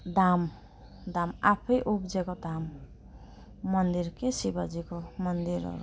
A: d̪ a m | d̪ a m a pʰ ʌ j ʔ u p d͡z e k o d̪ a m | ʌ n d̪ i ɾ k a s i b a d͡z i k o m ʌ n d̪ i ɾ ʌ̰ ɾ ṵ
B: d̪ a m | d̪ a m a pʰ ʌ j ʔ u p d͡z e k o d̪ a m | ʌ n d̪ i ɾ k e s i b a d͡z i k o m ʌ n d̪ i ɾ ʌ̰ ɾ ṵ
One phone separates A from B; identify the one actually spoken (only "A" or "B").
B